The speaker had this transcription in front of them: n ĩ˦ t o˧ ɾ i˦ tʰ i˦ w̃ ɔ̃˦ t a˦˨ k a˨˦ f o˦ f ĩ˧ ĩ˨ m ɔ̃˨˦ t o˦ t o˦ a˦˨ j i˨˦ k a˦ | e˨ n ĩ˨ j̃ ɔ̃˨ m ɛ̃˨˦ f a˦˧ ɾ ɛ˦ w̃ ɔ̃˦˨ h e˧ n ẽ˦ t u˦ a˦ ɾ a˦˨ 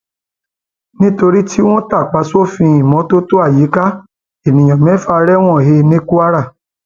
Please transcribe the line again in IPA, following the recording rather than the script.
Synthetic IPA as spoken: n ĩ˦ t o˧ ɾ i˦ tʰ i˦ w̃ ɔ̃˦ t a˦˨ k͡p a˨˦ s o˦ f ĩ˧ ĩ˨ m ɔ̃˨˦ t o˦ t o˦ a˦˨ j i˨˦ k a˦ | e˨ n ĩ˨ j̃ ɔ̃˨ m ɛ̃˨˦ f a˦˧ ɾ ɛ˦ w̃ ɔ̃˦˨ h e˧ n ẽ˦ k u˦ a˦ ɾ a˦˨